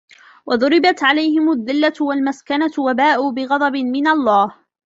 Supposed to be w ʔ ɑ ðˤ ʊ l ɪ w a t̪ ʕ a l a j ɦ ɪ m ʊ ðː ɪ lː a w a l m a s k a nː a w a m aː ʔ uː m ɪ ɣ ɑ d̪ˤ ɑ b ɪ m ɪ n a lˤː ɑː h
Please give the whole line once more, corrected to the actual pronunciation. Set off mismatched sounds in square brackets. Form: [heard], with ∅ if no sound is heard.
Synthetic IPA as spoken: w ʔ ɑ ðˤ ʊ [ɾ] ɪ [b] a t̪ ʕ a l a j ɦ ɪ m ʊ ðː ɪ lː a w a l m a s k a [n] a w a [b] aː ʔ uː [b] ɪ ɣ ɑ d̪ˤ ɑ b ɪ m ɪ n a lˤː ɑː h